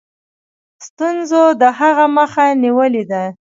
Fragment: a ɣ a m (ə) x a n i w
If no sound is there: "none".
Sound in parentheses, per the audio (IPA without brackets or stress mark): ə